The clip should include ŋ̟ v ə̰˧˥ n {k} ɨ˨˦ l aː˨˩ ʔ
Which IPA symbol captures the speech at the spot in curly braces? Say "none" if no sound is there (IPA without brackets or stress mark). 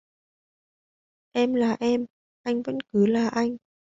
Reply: k